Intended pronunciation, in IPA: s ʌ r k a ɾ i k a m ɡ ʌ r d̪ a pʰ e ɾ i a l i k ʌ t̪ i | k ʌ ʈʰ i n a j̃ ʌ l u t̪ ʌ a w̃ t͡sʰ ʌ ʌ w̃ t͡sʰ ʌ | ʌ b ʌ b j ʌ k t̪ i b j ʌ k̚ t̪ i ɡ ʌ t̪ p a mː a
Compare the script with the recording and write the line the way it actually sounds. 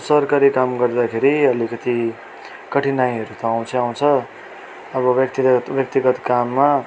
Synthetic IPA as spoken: s ʌ r k a ɾ i k a m ɡ ʌ r d̪ a kʰ e ɾ i ʌ l i k ʌ t̪ i | k ʌ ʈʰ i n a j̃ ʌ ɾ u t̪ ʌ a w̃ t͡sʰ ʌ a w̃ t͡sʰ ʌ | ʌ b ʌ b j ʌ k t̪ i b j ʌ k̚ t̪ i ɡ ʌ t̪ k a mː a